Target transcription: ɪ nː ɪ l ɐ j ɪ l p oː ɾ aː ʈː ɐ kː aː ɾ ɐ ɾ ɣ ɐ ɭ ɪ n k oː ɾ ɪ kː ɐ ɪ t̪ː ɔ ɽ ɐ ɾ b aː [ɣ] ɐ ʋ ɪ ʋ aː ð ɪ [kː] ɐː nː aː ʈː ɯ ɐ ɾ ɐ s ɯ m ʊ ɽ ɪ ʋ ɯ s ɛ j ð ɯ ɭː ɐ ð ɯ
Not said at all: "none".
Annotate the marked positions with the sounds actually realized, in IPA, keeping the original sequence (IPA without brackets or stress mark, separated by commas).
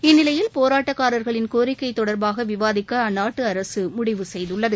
ɣ, kː